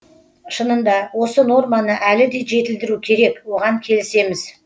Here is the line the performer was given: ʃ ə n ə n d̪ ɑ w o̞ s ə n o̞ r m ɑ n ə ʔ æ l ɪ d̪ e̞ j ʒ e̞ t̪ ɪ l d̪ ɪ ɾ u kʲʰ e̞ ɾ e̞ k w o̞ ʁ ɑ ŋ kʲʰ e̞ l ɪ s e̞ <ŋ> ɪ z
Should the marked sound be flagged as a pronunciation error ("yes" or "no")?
yes